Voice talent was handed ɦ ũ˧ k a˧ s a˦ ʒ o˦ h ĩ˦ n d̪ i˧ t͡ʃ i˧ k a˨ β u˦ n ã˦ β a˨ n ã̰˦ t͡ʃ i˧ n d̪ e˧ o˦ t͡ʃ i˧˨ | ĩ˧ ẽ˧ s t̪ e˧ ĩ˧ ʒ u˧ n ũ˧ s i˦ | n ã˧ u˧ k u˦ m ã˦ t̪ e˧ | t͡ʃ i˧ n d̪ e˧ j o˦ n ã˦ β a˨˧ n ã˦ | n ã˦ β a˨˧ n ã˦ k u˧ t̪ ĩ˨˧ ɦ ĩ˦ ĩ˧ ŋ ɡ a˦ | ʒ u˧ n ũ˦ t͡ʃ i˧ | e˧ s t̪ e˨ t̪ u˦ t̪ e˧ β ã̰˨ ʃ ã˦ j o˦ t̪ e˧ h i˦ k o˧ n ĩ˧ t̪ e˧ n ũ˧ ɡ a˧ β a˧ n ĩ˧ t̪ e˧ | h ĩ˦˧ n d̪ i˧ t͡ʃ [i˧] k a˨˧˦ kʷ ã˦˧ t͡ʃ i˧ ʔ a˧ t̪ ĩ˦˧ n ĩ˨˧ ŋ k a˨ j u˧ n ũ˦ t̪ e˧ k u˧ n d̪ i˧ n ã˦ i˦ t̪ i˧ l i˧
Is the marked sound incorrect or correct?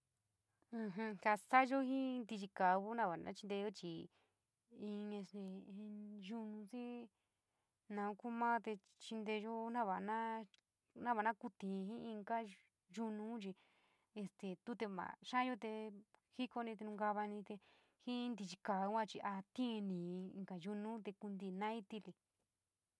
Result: correct